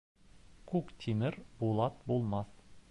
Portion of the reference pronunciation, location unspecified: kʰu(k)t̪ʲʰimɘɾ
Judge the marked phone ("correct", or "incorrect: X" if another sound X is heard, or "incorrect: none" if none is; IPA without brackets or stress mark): correct